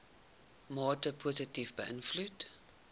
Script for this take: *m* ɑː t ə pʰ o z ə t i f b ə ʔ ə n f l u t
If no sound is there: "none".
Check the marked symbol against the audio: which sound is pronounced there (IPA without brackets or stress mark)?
m